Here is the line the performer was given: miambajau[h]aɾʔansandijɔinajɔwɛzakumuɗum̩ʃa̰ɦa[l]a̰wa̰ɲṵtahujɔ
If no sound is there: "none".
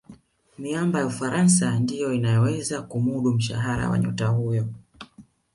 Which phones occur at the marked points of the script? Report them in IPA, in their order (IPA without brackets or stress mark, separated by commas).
f, ɾ